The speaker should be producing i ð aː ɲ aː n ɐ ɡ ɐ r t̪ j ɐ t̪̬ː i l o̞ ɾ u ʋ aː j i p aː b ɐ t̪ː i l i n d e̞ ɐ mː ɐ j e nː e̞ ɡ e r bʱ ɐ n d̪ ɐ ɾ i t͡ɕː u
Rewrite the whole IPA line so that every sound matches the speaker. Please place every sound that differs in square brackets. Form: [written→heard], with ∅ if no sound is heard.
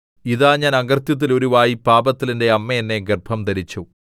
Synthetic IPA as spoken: i ð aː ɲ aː n ɐ ɡ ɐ r t̪ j ɐ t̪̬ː i l o̞ ɾ u ʋ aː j i p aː b ɐ t̪ː i l i n d e̞ ɐ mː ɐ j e nː e̞ ɡ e r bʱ ɐ [n→m] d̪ ɐ ɾ i t͡ɕː u